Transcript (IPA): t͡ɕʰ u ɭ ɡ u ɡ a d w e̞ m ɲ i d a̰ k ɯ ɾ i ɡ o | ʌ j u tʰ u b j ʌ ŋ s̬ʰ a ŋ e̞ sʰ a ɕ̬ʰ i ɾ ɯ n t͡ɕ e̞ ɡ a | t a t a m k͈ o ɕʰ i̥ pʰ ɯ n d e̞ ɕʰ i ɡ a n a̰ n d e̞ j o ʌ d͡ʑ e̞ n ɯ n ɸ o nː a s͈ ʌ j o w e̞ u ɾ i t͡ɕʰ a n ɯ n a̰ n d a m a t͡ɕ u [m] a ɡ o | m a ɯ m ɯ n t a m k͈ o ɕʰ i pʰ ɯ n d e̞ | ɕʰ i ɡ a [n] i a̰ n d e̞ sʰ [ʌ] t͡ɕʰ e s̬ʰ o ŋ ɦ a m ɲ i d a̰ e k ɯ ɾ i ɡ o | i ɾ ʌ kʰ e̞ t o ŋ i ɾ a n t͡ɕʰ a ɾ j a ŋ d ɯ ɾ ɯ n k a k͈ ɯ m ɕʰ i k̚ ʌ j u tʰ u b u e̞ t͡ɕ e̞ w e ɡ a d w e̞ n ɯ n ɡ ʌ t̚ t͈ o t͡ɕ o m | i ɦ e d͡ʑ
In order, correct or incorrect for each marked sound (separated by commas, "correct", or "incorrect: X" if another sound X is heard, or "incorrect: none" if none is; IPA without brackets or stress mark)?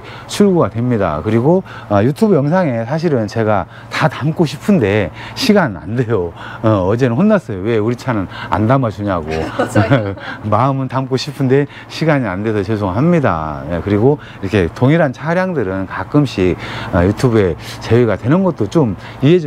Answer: incorrect: ɲ, incorrect: ɲ, correct